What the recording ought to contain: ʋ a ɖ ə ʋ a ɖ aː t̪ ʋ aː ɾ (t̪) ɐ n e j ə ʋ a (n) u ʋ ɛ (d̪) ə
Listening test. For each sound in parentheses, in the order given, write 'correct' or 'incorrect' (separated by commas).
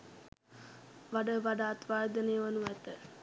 incorrect, correct, incorrect